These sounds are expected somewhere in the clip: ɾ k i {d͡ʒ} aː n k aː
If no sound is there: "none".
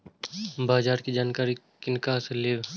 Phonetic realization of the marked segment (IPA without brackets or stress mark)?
d͡ʒ